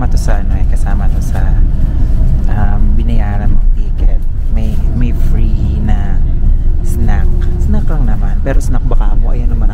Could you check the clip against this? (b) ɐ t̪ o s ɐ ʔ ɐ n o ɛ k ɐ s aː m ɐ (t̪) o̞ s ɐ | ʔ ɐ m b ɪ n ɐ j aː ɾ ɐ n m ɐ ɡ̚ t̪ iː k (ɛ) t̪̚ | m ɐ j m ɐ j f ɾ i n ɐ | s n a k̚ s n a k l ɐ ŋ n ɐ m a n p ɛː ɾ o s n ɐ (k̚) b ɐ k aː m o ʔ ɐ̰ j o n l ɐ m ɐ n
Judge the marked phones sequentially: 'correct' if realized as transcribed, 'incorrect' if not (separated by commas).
incorrect, correct, correct, correct